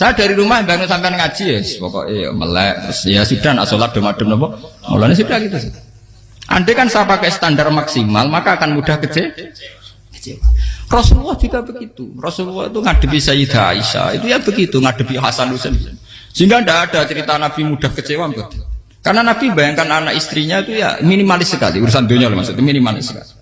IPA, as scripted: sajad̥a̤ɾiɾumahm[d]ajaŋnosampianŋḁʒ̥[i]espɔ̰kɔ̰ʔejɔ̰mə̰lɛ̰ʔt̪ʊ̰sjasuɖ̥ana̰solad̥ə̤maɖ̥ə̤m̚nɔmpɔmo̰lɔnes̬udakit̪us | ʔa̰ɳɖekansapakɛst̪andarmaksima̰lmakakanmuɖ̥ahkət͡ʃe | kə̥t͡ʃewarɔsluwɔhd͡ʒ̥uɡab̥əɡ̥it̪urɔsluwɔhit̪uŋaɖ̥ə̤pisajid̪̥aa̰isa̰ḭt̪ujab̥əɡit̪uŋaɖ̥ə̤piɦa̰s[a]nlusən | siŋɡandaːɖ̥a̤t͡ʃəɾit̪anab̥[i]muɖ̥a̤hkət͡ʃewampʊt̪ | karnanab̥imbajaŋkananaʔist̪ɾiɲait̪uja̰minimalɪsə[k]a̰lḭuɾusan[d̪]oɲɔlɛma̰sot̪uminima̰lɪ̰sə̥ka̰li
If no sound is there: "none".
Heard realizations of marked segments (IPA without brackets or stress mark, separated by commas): b, i, a, i, k, d̪